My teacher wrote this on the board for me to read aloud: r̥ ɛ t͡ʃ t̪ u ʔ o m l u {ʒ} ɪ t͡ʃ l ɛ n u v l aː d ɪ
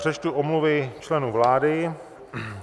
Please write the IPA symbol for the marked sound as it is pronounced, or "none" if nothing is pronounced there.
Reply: v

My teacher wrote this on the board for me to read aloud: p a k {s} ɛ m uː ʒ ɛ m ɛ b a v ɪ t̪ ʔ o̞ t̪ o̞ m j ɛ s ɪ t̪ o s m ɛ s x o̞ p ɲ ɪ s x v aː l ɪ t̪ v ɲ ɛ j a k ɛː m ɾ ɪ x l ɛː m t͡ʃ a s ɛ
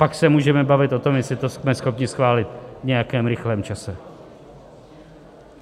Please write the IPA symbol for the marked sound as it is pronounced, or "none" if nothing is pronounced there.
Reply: s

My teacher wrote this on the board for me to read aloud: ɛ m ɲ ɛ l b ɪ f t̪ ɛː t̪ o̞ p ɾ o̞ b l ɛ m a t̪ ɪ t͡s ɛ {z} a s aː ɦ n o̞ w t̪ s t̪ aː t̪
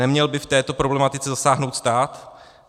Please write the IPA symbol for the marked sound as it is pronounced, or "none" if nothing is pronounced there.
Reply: z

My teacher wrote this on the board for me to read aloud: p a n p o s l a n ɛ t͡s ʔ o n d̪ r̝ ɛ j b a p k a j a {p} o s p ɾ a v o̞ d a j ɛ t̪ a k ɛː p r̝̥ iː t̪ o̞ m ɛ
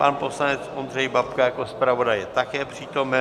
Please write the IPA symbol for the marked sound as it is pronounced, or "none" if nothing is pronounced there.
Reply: k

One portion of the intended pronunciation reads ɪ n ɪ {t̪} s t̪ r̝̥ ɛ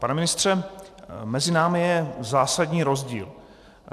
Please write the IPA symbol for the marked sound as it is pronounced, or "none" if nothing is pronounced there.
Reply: none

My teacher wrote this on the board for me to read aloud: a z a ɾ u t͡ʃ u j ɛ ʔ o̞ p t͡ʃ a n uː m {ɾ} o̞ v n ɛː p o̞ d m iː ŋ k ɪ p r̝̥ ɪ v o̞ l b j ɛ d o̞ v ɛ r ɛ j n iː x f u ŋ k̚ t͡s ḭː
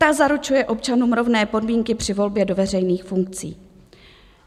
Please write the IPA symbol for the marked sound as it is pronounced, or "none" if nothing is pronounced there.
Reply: ɾ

